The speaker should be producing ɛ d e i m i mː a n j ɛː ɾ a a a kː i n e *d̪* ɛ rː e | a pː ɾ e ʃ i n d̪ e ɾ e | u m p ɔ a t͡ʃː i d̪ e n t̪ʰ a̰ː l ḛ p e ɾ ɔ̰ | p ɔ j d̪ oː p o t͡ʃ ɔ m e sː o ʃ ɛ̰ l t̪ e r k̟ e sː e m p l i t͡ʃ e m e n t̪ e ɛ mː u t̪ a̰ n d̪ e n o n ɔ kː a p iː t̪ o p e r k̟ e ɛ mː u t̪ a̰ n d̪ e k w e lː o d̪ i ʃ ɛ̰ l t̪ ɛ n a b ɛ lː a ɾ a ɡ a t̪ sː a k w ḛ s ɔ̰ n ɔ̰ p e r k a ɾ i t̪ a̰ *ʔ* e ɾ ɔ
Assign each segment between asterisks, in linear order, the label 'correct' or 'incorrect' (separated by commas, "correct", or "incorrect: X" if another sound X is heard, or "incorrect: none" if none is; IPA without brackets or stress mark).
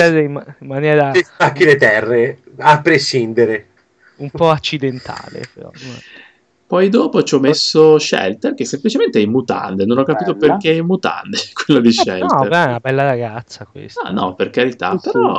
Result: incorrect: t̪, incorrect: p